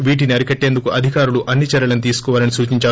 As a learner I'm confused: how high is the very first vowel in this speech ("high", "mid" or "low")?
high